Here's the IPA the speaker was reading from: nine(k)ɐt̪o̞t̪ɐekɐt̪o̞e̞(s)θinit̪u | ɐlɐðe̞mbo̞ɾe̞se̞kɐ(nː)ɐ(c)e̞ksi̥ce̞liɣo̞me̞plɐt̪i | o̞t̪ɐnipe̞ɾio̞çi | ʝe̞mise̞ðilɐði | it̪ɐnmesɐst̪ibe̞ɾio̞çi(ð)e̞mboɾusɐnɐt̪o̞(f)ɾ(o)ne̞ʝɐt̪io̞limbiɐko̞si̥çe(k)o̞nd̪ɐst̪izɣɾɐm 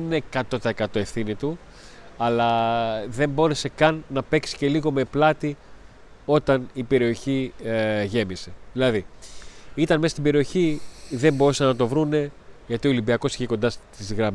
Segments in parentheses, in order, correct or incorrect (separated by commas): correct, incorrect, correct, incorrect, correct, incorrect, incorrect, correct